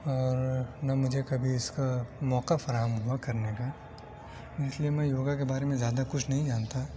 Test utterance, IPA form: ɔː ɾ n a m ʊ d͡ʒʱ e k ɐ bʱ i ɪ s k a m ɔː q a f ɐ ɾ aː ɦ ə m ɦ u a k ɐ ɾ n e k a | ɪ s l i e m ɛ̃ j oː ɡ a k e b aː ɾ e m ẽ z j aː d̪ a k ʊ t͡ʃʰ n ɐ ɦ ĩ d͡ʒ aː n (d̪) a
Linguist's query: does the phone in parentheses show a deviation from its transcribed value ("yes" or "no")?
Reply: yes